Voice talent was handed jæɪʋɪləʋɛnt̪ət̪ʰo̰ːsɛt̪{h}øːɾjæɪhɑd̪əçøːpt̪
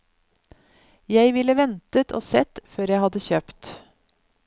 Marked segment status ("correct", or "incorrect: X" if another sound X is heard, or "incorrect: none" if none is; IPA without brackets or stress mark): incorrect: f